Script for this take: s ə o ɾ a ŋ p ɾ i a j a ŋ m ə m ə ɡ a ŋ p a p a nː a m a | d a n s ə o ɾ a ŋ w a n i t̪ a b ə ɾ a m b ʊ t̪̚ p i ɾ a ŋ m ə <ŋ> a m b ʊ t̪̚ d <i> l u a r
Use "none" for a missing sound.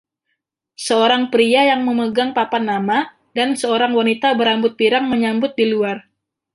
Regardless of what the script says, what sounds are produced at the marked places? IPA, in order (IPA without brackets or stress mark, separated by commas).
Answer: ɲ, i